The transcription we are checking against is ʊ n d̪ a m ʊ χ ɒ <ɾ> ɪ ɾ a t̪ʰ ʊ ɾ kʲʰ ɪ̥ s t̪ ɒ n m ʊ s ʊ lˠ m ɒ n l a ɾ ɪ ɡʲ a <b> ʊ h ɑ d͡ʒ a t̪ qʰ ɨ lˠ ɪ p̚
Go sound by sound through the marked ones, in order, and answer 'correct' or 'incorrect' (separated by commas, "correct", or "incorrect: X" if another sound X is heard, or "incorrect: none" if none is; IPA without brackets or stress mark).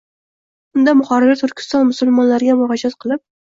correct, incorrect: m